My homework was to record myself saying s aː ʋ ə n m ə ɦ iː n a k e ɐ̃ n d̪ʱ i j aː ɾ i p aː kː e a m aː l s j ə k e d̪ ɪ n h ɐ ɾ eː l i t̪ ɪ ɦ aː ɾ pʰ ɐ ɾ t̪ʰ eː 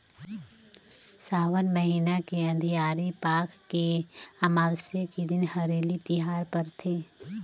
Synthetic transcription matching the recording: s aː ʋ ə n m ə ɦ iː n a k e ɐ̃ n d̪ʱ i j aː ɾ i p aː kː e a m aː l s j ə k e d̪ ɪ n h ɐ ɾ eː l i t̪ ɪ ɦ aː ɾ p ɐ ɾ t̪ʰ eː